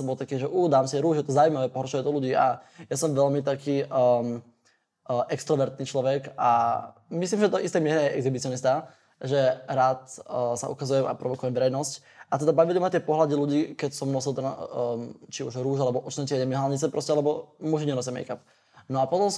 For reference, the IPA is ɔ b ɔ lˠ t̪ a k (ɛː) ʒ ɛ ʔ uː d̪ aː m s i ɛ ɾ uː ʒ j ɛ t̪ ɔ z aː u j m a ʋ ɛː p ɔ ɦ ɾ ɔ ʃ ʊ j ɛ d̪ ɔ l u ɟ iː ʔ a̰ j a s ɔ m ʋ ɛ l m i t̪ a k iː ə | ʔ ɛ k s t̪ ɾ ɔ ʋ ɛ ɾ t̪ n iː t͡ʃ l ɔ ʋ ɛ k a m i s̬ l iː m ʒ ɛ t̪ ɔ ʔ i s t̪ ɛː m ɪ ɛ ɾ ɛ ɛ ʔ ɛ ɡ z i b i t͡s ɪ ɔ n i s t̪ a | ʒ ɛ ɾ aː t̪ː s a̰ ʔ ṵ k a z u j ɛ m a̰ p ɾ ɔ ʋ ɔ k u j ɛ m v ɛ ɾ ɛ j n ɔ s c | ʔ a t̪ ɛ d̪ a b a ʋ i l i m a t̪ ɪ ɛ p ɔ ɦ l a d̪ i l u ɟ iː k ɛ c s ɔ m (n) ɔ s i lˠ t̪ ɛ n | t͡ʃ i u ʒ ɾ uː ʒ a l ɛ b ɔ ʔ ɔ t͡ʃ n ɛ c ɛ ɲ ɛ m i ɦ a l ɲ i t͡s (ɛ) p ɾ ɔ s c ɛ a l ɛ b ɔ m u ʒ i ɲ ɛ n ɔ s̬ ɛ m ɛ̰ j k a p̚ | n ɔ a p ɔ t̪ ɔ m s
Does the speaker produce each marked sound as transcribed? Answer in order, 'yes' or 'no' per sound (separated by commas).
no, yes, yes